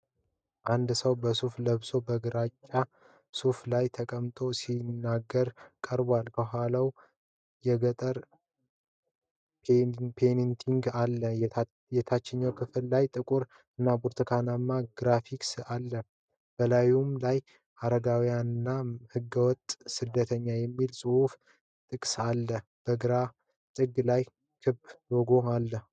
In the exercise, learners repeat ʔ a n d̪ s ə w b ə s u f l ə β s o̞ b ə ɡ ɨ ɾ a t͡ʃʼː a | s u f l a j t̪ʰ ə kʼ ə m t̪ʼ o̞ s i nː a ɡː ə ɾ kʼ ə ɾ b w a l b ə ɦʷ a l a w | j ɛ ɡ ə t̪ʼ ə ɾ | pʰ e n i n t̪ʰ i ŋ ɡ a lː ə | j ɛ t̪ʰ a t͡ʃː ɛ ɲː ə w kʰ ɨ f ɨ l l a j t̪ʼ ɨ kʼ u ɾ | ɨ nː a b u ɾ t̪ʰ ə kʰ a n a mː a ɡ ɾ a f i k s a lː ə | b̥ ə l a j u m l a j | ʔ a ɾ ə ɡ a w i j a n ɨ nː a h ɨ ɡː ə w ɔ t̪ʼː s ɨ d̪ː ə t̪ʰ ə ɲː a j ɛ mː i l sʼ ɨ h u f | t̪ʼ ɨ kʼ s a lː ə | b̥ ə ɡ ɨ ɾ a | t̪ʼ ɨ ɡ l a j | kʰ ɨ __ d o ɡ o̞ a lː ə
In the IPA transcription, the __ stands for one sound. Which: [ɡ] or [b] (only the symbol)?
b